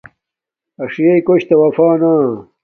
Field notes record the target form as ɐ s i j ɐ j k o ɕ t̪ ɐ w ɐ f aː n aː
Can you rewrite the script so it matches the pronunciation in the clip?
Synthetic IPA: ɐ ʂ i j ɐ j k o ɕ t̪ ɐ w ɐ f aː n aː